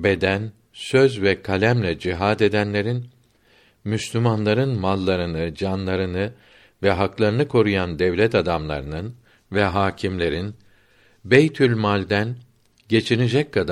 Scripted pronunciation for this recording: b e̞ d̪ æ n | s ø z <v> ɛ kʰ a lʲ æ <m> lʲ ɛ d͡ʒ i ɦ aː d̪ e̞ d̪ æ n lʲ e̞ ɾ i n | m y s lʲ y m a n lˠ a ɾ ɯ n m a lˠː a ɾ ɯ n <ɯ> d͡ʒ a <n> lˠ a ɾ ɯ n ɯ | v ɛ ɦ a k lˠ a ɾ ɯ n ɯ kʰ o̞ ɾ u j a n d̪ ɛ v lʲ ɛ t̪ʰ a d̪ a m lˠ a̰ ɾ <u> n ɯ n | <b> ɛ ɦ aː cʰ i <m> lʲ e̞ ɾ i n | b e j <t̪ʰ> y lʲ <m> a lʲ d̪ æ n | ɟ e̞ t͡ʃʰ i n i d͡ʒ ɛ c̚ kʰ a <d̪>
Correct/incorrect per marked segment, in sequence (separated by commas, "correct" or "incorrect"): correct, correct, correct, correct, incorrect, incorrect, correct, correct, correct, correct